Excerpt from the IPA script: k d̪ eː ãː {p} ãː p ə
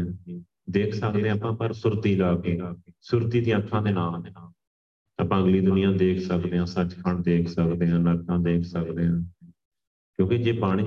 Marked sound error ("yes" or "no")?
no